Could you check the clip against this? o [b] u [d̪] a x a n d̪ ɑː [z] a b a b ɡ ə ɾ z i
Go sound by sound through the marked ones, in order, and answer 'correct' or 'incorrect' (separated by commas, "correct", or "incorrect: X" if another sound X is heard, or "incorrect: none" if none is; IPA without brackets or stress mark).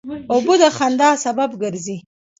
correct, correct, incorrect: s